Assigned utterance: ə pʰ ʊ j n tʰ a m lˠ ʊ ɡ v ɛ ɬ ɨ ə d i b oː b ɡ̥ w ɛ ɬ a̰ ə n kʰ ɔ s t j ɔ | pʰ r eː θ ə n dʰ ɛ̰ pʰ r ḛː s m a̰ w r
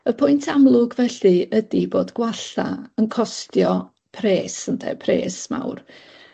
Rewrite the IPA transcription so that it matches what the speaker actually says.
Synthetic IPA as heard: ə pʰ ʊ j n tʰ a m lˠ ʊ ɡ v ɛ ɬ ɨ ə d i b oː d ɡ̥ w a ɬ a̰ ə n kʰ ɔ s t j ɔ | pʰ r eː s ə n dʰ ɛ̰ pʰ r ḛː s m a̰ w r